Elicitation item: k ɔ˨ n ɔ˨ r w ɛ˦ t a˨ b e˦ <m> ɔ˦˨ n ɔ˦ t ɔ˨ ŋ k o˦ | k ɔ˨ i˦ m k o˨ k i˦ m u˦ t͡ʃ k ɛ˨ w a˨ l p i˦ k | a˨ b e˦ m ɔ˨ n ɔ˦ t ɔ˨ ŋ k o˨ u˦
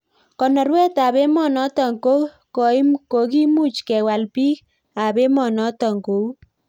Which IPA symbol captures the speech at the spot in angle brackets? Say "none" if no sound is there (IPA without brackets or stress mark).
m